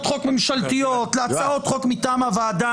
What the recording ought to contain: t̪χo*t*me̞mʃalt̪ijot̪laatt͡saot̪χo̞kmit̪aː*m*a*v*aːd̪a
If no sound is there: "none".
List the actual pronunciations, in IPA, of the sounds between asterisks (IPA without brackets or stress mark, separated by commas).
k, m, v